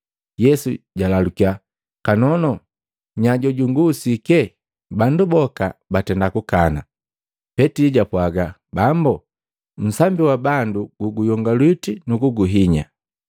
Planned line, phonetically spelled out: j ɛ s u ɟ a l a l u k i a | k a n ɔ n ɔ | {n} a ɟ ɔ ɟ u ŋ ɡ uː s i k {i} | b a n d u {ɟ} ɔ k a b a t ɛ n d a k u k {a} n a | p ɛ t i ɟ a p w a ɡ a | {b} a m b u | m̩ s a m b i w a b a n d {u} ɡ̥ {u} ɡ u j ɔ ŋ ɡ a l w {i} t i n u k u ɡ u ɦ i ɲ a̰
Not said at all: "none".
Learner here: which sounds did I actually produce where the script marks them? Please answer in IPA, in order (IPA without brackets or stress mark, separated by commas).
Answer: ɲ, ɛ, b, a, b, u, u, i